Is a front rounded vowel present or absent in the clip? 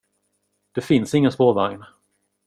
absent